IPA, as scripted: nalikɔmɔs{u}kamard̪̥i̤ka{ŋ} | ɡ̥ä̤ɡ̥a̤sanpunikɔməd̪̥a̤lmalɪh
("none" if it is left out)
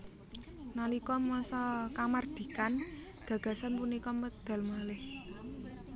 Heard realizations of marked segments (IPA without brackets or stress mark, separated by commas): ɔ, n